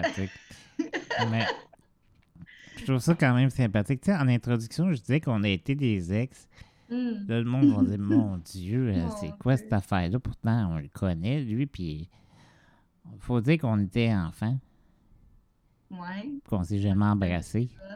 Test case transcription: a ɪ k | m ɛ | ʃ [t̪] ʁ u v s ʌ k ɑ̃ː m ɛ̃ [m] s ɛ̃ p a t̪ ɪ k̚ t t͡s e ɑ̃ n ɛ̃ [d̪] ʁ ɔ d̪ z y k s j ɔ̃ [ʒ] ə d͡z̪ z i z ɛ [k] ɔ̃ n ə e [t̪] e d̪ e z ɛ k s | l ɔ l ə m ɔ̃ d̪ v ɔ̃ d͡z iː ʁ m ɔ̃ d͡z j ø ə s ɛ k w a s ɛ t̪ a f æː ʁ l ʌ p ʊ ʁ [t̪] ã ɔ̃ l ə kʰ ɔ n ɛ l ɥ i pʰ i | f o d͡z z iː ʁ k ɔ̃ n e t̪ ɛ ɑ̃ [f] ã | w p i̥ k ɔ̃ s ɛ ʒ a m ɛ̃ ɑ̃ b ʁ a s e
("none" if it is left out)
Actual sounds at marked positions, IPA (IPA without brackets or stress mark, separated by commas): t̪, m, t̪, ʒ, k, t̪, t̪, f